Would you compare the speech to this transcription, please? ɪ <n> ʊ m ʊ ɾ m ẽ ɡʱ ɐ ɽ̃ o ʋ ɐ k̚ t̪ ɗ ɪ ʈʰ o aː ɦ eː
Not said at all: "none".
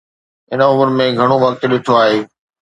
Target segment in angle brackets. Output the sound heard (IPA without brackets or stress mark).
n